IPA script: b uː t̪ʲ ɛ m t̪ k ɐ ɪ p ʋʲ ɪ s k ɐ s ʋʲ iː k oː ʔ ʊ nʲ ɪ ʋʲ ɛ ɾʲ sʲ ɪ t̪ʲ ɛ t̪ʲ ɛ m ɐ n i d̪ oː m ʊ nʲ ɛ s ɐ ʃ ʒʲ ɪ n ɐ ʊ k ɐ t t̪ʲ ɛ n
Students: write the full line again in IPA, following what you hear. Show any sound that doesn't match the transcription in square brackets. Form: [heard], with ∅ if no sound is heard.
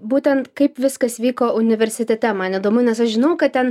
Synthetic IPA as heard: b uː t̪ʲ ɛ [n] t̪ k ɐ ɪ p ʋʲ ɪ s k ɐ s ʋʲ iː k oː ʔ ʊ nʲ ɪ ʋʲ ɛ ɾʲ sʲ ɪ t̪ʲ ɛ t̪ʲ ɛ m ɐ n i d̪ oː m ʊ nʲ ɛ s ɐ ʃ ʒʲ ɪ n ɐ ʊ k ɐ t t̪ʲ ɛ n